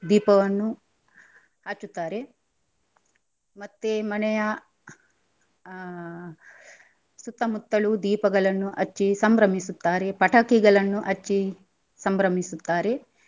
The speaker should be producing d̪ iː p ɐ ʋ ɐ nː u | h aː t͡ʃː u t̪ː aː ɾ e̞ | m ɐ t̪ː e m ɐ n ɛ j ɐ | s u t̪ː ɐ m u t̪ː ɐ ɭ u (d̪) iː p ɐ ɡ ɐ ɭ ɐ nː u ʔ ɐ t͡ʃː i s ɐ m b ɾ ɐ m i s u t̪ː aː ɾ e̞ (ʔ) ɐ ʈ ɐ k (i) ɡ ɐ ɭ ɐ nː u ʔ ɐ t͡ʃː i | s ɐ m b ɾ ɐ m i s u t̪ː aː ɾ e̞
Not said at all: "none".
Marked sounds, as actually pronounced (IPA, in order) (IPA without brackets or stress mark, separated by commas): d̪, p, i